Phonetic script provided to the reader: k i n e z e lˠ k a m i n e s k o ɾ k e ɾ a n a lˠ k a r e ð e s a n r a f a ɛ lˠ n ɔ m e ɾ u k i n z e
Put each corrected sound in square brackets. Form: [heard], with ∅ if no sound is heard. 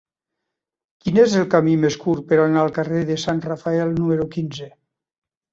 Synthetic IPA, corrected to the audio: k i n e z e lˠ k a m i [m] e s k [u] ɾ [p] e ɾ a n a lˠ k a r e ð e s a n r a f a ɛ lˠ n [u] m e ɾ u k i n z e